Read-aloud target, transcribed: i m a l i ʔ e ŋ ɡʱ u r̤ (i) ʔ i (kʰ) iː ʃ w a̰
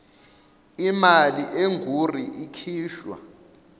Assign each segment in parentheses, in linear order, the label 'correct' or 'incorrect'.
correct, correct

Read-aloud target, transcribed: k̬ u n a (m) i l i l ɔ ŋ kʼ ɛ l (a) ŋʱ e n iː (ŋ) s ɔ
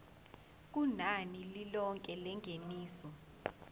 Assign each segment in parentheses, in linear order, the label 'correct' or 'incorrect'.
incorrect: n, incorrect: ɛ, incorrect: none

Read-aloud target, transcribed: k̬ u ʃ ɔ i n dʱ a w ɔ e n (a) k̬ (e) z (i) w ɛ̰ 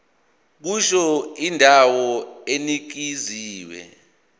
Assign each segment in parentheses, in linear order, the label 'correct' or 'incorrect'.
incorrect: i, incorrect: i, incorrect: iː

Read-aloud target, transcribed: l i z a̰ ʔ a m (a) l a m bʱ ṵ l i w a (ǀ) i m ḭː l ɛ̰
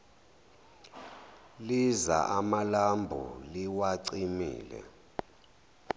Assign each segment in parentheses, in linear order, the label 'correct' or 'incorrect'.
correct, correct

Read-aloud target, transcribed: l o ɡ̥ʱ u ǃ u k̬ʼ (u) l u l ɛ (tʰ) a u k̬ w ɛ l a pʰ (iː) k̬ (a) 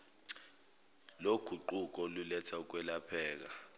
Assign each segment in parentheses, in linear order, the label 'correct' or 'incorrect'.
incorrect: ɔ, correct, incorrect: ɛː, correct

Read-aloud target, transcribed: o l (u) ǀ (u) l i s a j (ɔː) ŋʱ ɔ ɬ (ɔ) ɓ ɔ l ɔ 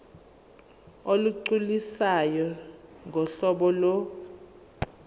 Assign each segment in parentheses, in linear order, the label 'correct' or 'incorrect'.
correct, correct, incorrect: ɔ, correct

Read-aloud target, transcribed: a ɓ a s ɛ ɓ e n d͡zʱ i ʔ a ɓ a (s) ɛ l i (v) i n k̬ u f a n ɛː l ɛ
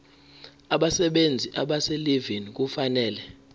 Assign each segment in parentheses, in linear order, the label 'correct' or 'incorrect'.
correct, correct

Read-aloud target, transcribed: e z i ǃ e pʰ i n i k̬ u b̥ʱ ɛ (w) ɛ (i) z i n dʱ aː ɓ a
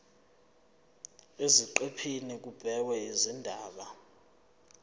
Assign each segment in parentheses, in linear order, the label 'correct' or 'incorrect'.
correct, correct

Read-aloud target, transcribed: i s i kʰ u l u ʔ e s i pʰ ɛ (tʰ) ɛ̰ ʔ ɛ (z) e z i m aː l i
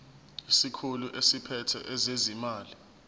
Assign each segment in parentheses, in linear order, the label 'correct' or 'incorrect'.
correct, correct

